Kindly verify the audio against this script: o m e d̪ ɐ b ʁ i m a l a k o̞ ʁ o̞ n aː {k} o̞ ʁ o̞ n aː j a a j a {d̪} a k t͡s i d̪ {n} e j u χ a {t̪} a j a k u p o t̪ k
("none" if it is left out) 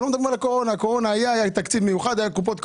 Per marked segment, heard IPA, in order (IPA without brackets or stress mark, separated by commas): k, t̪, m, d̪